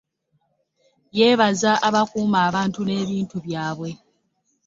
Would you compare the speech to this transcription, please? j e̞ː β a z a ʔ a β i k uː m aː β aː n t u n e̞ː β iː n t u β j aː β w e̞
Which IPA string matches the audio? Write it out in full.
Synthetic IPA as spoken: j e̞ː β a z a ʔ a β a k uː m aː β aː n t u n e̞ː β iː n t u β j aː β w e̞

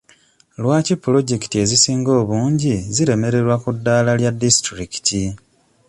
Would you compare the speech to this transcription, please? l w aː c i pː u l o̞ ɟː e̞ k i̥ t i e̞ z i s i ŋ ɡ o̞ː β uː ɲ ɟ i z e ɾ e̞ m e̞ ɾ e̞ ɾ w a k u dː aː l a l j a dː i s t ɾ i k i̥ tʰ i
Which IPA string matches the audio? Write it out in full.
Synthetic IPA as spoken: l w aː c i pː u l o̞ ɟ e̞ k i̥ t i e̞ z i s iː ŋ ɡ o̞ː β uː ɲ ɟ i z i ɾ e̞ m e̞ ɾ e̞ ɾ w a k u dː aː l a l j a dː i s t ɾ i k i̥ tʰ i

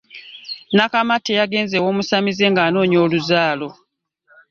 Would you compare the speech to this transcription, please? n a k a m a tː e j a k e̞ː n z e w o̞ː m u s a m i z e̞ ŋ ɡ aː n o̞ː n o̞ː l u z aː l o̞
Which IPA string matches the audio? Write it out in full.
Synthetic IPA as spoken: n a k a m a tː e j a ɡ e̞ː n z e w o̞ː m u s a m i z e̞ ŋ ɡ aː n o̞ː ɲ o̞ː l u z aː l o̞

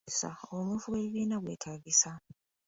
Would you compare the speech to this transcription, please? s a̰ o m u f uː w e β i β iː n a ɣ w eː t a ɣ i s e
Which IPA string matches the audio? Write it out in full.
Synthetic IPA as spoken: s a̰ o m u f u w e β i β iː n a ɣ w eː tʰ a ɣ i s a

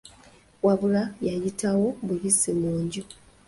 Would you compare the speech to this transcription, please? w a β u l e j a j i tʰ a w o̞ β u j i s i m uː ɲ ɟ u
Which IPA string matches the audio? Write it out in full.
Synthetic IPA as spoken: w a β u l a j a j i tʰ a w o̞ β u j i s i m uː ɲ ɟ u

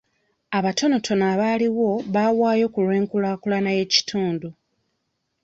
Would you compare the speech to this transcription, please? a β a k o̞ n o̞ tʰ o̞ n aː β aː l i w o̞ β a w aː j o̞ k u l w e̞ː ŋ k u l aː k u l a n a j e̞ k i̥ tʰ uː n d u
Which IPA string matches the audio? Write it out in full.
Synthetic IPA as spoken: a β a t o̞ n o̞ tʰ o̞ n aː β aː l i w o̞ β a w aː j o̞ k u l w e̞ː ŋ k u l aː k u l a n a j e̞ c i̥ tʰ uː n d u

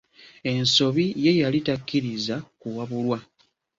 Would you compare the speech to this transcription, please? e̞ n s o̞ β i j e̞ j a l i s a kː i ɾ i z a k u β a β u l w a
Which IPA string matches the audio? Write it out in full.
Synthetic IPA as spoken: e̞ n s o̞ β i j e̞ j a l i t a kː i ɾ i z a k u w a β u l w a

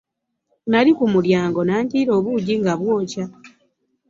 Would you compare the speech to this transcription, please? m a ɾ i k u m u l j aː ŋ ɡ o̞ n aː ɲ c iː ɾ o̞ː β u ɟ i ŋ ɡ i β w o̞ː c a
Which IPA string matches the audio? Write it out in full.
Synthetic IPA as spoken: n a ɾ i k u m u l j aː ŋ ɡ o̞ n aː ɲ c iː ɾ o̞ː β u ɟ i ŋ ɡ a β w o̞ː c a

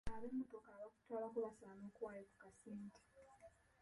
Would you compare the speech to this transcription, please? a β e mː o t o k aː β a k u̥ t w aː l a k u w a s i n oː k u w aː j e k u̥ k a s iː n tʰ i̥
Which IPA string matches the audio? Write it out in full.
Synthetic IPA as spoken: a β e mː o t o k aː β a k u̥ t w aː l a k u β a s a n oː k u w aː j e k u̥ k a s iː n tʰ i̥

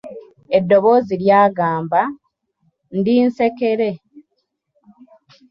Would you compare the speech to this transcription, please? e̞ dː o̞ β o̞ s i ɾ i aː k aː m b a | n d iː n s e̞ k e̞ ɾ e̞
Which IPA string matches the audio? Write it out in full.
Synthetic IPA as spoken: e̞ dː o̞ β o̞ z i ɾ j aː ɡ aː m b a | n d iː n s e̞ k e̞ ɾ e̞

